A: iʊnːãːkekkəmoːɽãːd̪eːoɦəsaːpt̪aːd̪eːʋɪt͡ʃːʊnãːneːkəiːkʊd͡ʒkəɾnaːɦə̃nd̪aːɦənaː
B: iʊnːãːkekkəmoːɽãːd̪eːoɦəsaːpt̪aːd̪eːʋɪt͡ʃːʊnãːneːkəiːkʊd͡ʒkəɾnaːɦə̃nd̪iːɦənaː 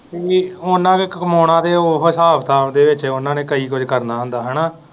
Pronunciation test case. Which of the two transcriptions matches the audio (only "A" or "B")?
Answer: A